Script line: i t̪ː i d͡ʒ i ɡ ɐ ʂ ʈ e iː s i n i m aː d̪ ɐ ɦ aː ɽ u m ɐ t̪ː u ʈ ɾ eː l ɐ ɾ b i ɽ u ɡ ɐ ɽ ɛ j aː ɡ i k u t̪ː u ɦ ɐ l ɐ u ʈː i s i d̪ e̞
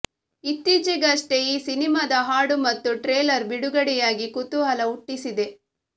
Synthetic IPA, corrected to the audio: i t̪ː i d͡ʒ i ɡ ɐ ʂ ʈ e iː s i n i m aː d̪ ɐ ɦ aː ɽ u m ɐ t̪ː u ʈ ɾ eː l ɐ ɾ b i ɽ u ɡ ɐ ɽ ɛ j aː ɡ i k u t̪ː u ɦ ɐ l ɐ u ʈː i s i d̪ e̞